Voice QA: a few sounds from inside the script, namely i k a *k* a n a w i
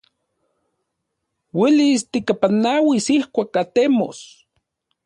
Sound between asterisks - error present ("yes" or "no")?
yes